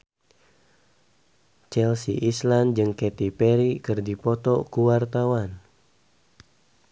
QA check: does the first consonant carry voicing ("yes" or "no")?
no